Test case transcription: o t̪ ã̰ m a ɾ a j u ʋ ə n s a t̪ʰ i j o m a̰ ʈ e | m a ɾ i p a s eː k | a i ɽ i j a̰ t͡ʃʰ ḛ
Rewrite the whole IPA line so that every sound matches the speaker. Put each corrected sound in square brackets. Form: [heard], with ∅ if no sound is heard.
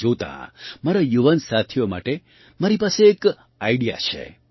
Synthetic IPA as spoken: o t̪ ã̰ m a ɾ a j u ʋ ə n s a t̪ʰ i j o m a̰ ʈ e | m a ɾ i p a s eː k | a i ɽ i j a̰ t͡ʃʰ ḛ